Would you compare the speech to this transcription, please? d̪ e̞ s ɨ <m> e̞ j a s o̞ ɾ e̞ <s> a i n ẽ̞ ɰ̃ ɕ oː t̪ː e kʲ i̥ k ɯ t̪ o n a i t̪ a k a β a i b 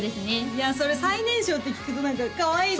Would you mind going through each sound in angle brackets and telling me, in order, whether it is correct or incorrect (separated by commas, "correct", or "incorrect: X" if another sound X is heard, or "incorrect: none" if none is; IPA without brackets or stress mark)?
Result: incorrect: n, correct